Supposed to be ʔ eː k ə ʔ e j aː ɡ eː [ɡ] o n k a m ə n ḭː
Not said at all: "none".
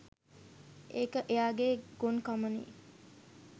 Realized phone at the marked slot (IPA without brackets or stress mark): ɡ